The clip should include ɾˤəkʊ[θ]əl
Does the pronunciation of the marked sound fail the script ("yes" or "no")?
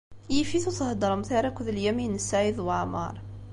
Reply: yes